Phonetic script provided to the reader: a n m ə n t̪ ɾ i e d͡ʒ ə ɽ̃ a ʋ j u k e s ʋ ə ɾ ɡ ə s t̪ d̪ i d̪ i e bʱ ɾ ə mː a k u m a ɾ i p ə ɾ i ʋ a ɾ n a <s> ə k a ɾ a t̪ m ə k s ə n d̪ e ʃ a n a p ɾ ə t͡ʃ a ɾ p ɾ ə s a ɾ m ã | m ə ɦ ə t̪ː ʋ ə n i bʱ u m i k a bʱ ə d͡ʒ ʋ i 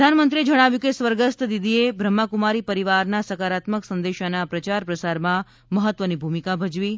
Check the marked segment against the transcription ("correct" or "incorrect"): correct